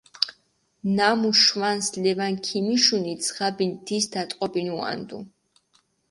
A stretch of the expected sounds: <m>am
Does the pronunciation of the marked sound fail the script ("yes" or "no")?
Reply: yes